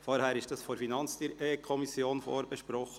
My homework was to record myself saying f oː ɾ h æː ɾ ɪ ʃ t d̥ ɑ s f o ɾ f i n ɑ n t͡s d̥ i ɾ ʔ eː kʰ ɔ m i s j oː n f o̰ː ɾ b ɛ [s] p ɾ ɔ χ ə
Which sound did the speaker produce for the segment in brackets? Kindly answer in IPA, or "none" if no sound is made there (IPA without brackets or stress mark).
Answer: ʃ